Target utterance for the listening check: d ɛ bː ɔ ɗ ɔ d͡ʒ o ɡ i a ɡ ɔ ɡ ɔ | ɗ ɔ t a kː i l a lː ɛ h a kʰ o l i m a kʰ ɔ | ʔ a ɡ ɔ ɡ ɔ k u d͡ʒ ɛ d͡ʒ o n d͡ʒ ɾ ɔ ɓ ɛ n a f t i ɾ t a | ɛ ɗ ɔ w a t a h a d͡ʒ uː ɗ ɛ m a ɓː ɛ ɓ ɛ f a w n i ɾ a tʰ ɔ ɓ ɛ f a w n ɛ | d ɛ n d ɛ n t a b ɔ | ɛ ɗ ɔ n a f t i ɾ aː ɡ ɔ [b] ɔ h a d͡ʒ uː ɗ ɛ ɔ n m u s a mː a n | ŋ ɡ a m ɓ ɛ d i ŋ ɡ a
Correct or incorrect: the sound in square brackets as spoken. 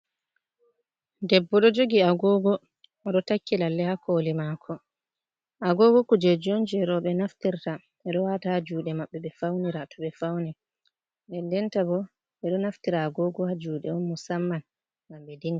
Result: incorrect: ɡ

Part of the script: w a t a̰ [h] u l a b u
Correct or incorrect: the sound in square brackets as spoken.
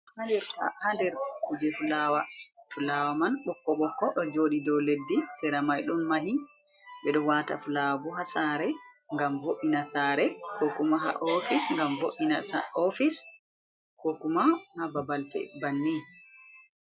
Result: incorrect: f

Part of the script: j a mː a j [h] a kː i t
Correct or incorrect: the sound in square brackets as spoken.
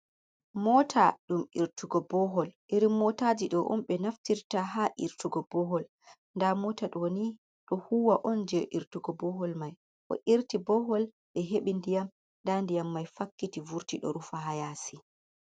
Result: incorrect: f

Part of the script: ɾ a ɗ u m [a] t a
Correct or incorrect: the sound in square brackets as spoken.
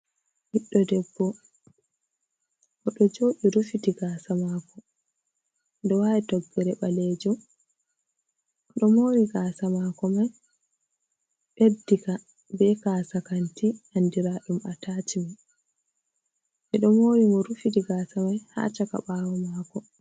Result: correct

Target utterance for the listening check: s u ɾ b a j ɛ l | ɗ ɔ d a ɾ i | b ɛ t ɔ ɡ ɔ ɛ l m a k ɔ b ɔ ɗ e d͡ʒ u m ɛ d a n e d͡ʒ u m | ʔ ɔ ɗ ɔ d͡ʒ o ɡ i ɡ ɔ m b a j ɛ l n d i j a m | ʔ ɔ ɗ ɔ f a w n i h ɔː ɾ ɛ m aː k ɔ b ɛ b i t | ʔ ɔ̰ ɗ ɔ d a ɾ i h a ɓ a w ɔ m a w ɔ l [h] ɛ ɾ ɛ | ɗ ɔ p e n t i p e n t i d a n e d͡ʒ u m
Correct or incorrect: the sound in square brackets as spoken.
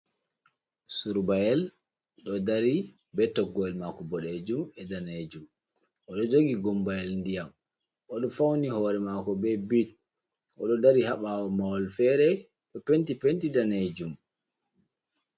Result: incorrect: f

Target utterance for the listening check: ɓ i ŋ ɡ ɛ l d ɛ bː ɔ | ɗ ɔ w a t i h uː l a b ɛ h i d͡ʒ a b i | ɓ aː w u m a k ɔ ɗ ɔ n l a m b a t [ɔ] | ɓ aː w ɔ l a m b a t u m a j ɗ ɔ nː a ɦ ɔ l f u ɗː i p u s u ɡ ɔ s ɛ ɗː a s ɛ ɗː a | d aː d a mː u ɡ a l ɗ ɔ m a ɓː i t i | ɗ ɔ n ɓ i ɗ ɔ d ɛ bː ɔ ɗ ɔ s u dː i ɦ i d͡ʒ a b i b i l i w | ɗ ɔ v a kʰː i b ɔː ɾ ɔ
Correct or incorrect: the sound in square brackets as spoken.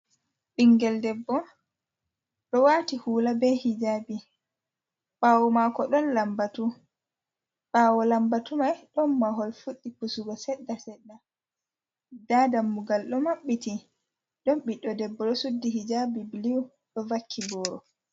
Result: incorrect: u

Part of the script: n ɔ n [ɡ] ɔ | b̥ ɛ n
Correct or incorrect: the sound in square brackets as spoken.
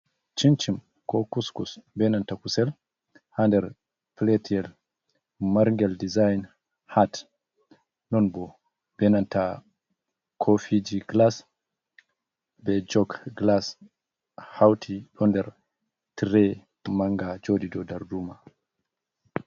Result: incorrect: b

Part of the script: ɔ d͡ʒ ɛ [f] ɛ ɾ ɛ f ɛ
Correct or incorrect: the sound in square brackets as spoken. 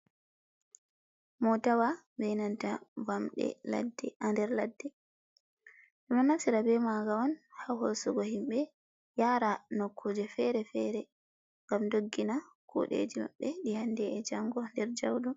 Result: correct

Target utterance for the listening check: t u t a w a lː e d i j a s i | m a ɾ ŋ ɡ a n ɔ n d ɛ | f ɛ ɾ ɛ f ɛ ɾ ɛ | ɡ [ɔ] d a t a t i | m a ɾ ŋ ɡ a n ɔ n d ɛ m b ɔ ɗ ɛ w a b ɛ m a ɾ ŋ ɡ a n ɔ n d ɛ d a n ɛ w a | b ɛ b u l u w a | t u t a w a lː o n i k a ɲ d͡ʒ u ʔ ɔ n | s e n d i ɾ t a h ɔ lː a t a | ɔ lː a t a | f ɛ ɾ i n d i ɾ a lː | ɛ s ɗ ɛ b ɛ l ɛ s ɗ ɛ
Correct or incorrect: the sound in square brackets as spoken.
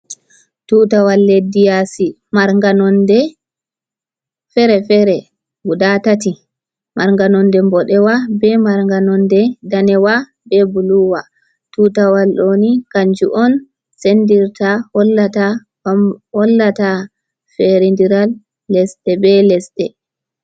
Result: incorrect: u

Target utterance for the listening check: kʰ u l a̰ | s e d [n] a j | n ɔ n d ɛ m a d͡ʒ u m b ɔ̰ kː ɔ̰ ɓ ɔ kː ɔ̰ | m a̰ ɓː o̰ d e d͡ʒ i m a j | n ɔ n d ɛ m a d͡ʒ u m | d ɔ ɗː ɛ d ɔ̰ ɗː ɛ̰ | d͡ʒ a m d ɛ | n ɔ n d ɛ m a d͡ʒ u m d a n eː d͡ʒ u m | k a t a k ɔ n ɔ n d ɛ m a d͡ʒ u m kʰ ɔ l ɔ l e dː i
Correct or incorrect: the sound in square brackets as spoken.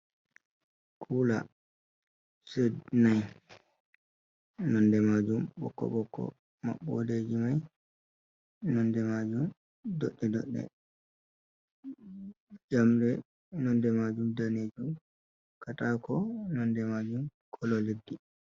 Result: correct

